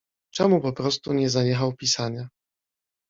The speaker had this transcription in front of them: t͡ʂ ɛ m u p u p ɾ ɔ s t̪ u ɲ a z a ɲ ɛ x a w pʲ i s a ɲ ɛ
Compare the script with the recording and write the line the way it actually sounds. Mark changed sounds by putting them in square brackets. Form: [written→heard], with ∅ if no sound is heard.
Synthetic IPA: t͡ʂ ɛ m u p [u→ɔ] p ɾ ɔ s t̪ u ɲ [a→ɛ] z a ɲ ɛ x a w pʲ i s a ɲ [ɛ→a]